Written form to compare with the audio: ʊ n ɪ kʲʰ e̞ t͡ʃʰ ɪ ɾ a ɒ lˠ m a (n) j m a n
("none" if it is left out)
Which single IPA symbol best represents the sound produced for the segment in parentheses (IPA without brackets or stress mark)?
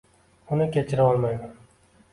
none